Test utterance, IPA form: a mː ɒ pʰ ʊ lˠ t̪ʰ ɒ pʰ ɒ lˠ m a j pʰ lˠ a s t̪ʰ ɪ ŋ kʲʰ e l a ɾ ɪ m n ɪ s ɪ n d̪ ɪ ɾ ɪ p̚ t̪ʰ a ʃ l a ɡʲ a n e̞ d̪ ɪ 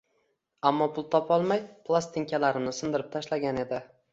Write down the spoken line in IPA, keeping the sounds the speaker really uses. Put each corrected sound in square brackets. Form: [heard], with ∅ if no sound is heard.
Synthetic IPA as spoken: a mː ɒ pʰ ʊ lˠ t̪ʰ ɒ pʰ ɒ lˠ m a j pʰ lˠ a s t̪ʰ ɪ ŋ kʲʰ [a] l a ɾ ɪ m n ɪ s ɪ n d̪ ɪ ɾ ɪ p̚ t̪ʰ a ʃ l a ɡʲ a n e̞ d̪ ɪ